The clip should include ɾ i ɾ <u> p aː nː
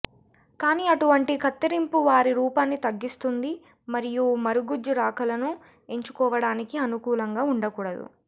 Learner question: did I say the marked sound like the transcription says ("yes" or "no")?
no